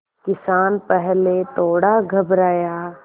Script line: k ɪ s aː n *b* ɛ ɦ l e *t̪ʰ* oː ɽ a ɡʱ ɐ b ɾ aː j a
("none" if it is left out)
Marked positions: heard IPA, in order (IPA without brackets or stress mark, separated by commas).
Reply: p, t̪